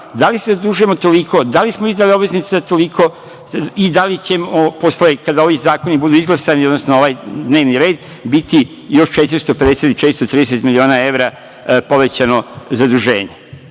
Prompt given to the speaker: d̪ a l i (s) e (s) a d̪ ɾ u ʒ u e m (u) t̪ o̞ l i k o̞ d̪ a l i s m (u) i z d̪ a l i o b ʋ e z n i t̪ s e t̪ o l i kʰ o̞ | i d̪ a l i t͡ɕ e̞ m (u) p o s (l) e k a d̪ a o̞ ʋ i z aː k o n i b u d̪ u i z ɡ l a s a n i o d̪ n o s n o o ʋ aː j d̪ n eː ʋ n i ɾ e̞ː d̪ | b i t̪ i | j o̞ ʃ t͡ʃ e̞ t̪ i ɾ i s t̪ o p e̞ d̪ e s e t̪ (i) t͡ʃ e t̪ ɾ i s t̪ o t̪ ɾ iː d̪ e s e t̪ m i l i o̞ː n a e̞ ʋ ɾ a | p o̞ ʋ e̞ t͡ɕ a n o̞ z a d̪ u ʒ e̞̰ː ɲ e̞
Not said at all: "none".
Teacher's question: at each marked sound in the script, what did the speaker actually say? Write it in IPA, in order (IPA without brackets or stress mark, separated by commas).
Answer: s, z, o, o, o, l, i